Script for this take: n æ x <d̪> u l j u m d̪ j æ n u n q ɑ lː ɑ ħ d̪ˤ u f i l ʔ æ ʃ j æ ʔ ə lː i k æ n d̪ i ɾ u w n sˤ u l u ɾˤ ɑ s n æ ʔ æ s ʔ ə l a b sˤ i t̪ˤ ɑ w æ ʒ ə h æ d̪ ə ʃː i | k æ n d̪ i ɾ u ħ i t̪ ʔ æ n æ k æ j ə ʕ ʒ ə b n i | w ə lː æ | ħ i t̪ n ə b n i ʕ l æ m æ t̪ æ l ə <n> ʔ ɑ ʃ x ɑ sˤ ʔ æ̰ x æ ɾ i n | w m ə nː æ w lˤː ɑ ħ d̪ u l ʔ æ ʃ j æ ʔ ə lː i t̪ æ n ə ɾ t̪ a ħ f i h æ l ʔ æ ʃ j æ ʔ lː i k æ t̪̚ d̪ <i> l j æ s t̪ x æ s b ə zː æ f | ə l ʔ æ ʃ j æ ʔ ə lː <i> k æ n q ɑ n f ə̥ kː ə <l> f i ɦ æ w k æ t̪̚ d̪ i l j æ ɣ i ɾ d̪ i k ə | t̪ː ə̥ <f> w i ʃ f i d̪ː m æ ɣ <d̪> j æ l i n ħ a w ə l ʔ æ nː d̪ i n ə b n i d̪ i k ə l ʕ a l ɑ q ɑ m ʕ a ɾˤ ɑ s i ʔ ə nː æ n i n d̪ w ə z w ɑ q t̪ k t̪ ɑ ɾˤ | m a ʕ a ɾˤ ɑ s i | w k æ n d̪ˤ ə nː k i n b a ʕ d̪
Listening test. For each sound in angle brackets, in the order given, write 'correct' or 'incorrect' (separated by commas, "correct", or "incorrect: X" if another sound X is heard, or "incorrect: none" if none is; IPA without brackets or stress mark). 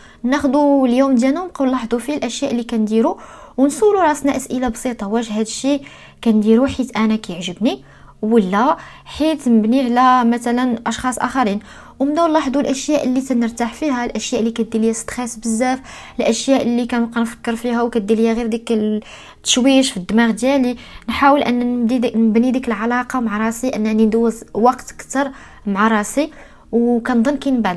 correct, correct, correct, correct, incorrect: ɾ, incorrect: ʃ, correct